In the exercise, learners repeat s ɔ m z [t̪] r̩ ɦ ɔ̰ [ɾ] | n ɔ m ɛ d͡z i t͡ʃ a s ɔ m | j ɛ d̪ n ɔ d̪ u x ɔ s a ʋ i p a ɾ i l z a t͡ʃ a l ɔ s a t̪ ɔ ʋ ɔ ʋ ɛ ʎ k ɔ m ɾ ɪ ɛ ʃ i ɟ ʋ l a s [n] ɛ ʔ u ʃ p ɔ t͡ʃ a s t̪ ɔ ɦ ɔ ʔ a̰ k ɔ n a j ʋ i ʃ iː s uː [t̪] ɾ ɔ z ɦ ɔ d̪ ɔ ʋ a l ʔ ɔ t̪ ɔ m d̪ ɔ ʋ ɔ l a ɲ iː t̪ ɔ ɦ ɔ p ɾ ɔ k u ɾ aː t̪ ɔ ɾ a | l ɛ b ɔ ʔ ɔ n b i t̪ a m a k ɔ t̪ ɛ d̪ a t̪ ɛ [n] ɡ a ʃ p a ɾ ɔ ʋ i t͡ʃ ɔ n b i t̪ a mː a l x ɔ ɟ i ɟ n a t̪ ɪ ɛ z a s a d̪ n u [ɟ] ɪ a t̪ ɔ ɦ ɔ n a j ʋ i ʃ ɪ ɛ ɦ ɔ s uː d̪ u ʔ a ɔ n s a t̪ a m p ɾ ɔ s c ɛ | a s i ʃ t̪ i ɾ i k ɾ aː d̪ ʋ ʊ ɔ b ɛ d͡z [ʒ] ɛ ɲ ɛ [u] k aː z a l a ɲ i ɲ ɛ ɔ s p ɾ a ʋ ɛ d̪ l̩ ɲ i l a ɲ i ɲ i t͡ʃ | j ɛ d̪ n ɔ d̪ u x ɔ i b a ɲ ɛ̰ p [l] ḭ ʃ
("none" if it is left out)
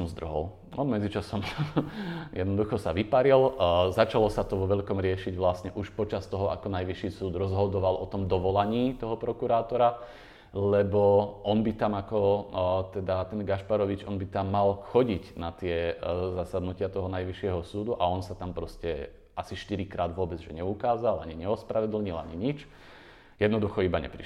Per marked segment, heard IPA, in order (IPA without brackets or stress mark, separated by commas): d̪, l, ɲ, d̪, n, c, ʒ, u, ɾ